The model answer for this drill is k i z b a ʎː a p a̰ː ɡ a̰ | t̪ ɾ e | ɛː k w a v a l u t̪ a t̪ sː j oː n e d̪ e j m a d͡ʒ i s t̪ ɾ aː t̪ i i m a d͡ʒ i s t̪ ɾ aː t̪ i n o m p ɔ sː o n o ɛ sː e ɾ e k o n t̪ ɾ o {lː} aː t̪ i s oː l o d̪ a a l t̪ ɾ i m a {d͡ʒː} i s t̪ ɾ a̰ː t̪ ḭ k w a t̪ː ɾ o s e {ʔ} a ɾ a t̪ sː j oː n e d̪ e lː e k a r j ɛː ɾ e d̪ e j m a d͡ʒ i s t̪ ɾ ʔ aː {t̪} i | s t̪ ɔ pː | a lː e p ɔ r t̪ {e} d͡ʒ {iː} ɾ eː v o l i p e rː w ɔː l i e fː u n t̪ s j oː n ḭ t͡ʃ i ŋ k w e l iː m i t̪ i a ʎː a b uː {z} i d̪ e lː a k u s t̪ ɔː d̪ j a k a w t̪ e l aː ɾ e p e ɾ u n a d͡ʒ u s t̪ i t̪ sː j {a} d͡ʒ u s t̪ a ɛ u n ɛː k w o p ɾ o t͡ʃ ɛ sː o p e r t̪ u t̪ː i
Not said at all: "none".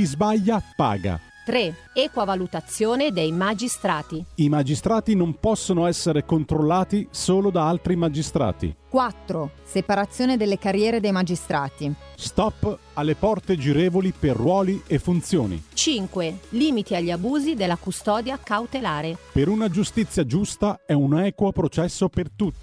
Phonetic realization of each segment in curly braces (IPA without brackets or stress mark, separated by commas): lː, d͡ʒ, p, t̪, e, i, z, a